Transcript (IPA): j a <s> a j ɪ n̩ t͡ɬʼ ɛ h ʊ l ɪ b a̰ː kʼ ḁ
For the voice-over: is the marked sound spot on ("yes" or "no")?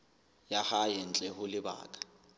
no